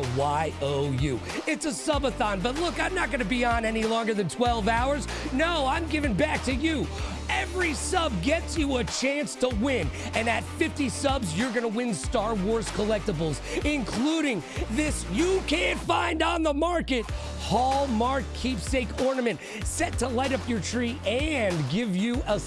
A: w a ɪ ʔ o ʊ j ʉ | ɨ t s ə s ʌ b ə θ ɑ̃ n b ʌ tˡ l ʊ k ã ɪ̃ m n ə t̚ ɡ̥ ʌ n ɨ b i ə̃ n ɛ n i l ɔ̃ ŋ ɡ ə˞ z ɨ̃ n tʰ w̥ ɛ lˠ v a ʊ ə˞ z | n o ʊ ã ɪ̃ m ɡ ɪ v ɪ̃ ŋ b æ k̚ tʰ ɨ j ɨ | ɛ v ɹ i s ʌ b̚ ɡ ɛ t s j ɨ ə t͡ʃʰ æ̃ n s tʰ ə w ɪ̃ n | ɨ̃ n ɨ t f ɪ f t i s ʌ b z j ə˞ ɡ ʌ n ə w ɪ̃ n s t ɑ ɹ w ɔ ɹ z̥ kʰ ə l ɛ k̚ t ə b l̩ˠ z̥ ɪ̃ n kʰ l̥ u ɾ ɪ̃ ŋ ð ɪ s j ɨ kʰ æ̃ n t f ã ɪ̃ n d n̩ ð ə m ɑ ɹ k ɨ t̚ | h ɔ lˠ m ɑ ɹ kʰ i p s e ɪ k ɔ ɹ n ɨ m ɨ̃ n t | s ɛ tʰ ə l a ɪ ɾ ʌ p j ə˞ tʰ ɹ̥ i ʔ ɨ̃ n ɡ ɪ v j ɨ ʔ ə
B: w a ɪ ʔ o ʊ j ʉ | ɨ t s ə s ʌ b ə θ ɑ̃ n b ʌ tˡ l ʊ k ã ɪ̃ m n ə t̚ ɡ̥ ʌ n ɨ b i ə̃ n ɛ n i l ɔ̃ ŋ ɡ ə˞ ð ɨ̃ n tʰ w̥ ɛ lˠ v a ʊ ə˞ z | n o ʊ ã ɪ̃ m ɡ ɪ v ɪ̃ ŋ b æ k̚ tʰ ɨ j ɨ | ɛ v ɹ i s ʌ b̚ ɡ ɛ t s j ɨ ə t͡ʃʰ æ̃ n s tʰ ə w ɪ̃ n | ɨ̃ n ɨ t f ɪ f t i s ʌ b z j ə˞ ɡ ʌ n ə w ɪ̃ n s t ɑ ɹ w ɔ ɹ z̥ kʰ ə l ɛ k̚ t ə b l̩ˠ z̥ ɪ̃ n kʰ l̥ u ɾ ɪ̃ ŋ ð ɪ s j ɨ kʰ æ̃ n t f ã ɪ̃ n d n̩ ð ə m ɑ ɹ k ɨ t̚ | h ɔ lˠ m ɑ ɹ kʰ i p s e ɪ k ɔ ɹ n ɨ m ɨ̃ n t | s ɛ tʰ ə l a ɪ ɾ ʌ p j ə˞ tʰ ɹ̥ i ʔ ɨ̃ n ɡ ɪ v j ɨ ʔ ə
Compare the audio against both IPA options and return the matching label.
B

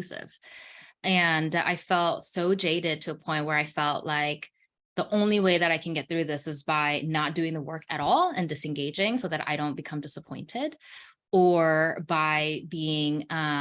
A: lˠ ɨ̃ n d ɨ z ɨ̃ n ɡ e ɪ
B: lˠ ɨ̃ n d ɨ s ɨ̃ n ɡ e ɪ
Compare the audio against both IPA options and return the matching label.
B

